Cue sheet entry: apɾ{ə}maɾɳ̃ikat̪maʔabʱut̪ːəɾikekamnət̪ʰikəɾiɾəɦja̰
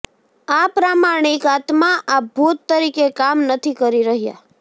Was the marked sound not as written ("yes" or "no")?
yes